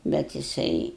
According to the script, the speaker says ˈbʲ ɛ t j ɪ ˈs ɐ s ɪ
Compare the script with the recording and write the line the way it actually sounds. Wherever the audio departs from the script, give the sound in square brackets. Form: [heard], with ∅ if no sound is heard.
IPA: ˈbʲ ɛ t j ɪ ˈs ɐ [∅] ɪ